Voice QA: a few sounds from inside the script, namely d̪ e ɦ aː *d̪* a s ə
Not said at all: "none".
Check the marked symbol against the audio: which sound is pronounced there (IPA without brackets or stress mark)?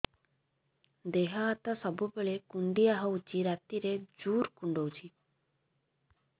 t̪